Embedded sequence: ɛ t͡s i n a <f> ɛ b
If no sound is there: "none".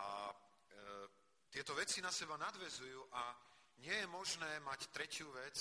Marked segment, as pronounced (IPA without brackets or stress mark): s